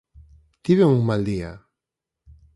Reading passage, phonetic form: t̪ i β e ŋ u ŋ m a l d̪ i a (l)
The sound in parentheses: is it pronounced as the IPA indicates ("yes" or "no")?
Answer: no